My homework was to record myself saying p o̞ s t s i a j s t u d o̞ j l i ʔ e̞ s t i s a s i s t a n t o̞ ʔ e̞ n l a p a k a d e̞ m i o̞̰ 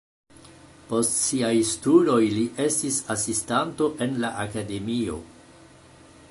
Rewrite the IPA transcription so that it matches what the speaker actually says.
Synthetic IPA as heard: p o̞ s t s i a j s t u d o̞ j l i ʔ e̞ s t i s a s i s t a n t o̞ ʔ e̞ n l a ʔ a k a d e̞ m i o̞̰